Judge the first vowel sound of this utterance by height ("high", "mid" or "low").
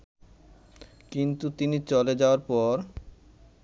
high